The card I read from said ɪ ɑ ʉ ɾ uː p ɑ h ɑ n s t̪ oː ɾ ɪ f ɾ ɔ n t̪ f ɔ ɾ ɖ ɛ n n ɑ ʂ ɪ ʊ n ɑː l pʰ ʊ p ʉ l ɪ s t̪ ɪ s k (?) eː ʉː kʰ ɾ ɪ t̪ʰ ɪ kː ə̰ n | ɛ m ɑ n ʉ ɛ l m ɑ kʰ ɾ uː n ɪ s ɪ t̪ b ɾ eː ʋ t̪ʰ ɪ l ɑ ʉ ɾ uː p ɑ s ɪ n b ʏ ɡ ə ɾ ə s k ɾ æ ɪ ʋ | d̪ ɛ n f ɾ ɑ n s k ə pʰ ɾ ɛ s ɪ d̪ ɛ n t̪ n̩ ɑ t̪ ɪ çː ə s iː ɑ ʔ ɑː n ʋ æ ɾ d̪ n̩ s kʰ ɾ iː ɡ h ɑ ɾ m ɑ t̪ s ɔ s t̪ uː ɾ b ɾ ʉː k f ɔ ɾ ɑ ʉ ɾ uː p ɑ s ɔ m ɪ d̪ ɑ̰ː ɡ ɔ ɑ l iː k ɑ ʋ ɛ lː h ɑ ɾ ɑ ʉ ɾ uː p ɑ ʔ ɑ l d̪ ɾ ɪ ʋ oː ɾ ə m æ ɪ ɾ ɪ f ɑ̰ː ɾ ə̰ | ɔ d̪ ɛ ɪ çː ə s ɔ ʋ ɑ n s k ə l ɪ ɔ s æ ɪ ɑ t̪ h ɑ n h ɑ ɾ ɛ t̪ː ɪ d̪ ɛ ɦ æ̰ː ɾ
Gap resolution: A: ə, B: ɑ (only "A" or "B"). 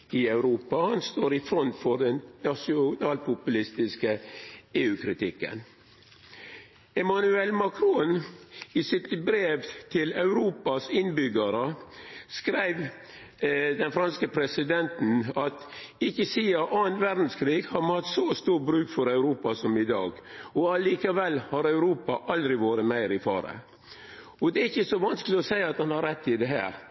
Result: A